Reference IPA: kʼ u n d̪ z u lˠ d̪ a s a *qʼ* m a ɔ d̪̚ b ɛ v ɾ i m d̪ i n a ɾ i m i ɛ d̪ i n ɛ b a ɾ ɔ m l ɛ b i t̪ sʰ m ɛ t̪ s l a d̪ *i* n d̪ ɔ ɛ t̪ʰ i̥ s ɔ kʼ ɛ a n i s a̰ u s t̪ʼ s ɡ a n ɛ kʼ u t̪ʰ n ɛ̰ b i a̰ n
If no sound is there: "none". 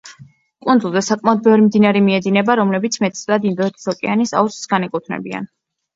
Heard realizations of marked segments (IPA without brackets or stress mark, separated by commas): kʼ, i